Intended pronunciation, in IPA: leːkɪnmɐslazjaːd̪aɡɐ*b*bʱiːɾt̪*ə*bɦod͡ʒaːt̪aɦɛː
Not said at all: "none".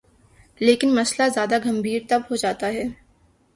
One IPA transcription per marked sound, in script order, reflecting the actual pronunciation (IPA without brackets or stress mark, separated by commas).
m, ɐ